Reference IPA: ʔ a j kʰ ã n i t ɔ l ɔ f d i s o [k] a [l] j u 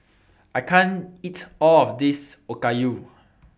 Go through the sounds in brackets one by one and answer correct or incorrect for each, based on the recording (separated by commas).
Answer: correct, incorrect